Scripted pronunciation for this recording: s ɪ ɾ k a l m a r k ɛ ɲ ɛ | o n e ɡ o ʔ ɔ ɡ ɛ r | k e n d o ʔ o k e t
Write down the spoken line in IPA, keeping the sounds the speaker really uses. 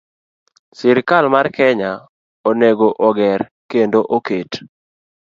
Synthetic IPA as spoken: s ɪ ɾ k a l m a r k ɛ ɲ a | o n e ɡ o ʔ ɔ ɡ ɛ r | k e n d o ʔ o k e t